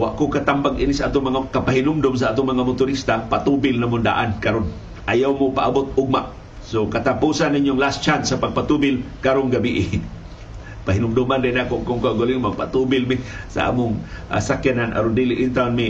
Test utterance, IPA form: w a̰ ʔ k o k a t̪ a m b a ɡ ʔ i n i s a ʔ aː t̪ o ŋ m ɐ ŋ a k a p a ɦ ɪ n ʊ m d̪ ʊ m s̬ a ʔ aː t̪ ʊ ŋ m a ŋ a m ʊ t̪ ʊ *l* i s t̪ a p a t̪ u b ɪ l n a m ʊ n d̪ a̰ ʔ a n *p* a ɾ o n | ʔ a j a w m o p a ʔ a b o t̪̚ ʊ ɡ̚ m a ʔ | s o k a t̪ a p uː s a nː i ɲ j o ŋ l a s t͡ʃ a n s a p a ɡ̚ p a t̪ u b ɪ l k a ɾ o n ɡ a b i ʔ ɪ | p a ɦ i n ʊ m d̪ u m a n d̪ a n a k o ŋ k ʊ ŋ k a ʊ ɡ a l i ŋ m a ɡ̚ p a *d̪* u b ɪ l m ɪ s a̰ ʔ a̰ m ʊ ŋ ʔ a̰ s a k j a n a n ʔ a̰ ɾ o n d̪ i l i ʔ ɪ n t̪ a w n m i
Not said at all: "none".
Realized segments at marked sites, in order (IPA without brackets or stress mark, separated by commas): ɾ, k, t̪